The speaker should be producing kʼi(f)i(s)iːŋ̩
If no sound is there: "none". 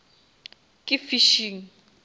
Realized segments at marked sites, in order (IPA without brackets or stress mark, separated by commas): f, ʃ